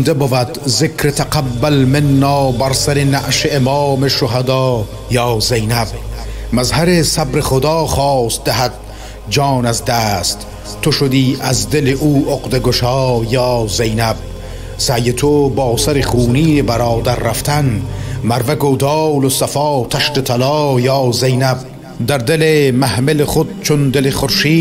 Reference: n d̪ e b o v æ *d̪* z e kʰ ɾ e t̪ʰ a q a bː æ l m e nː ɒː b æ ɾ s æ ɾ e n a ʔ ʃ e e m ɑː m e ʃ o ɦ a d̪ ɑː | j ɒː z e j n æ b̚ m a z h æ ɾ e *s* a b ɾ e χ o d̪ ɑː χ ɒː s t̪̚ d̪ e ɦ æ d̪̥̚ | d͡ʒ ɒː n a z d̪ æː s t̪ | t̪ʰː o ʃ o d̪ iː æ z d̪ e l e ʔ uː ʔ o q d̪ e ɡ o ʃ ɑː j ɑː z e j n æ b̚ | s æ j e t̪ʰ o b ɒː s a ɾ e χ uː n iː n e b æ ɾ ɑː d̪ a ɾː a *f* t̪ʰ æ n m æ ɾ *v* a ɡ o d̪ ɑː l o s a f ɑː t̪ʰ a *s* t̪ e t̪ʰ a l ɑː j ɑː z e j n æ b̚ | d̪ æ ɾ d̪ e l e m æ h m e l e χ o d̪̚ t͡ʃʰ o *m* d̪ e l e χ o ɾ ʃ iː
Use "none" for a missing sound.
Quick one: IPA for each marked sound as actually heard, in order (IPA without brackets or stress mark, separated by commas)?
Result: d̪, s, f, v, ʃ, n